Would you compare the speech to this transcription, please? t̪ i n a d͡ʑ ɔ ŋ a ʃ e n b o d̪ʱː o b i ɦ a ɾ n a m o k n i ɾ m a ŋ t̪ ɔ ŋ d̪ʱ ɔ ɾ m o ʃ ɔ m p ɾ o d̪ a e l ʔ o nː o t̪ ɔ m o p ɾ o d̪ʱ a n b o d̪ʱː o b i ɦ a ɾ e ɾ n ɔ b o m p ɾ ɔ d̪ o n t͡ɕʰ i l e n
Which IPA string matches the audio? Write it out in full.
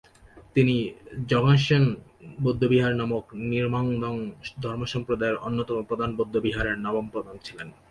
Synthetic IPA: t̪ i n i d͡ʑ ɔ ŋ a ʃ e n b o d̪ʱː o b i ɦ a ɾ n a m o k n i ɾ m a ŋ d̪ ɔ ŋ d̪ʱ ɔ ɾ m o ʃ ɔ m p ɾ o d̪ a e ɾ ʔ o nː o t̪ ɔ m o p ɾ o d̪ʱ a n b o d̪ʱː o b i ɦ a ɾ e ɾ n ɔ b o m p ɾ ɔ d̪ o n t͡ɕʰ i l e n